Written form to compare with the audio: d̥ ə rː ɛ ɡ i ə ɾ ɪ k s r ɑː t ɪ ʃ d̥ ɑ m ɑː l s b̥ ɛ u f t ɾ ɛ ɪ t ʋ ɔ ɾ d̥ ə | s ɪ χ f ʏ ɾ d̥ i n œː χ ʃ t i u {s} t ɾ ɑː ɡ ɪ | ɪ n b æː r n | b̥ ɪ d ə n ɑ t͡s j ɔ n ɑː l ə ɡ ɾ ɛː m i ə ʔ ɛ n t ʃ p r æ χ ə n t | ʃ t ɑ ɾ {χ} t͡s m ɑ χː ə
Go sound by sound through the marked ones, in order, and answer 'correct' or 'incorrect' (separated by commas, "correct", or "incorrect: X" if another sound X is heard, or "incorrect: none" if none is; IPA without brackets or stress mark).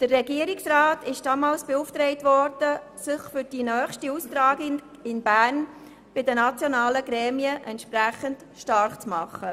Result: correct, correct